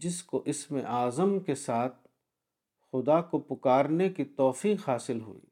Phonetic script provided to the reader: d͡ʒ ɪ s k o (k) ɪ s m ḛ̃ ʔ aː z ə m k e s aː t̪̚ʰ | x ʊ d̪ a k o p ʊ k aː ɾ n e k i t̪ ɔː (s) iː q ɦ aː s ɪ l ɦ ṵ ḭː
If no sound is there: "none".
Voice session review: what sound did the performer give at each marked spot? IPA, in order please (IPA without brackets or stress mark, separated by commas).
ʔ, f